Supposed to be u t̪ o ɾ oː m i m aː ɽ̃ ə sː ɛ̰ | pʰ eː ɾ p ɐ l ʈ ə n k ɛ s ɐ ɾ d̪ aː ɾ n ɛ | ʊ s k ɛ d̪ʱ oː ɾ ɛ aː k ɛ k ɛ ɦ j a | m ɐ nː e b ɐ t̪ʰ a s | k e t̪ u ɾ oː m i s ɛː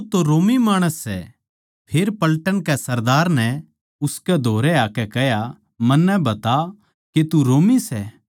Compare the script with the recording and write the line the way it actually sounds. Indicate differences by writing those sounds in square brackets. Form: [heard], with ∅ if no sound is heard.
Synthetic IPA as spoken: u t̪ o ɾ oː m i m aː ɽ̃ ə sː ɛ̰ | pʰ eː ɾ p ɐ l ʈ ə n k ɛ s ɐ ɾ d̪ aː ɾ n ɛ | ʊ s k ɛ d̪ʱ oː ɾ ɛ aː k ɛ k ɛ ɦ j a | m ɐ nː [ɛ] b ɐ [t̪] a [∅] | k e t̪ u ɾ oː m i s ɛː